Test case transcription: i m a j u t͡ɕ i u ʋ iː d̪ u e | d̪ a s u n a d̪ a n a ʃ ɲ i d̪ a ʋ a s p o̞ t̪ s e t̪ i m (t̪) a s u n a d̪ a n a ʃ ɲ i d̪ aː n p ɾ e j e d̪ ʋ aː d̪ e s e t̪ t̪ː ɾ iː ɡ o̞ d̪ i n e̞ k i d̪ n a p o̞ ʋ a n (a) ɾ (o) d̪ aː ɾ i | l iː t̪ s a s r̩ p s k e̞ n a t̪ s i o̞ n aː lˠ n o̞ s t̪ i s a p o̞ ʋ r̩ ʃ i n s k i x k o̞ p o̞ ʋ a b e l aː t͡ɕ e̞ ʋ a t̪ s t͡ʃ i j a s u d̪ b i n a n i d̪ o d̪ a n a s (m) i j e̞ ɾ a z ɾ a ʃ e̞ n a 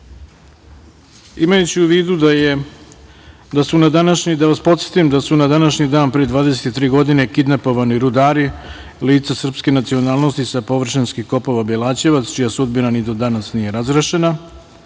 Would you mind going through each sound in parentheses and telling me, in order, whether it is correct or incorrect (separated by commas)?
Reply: incorrect, incorrect, incorrect, incorrect